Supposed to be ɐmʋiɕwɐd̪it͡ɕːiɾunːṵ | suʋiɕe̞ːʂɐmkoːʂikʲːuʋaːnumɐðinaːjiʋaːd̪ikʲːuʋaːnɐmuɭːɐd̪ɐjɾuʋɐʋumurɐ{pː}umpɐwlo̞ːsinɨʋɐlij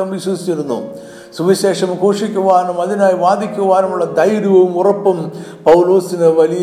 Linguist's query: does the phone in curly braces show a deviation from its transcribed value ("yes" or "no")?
no